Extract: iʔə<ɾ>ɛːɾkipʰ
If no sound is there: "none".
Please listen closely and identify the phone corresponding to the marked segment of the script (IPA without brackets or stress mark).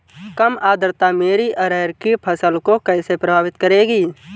ɾ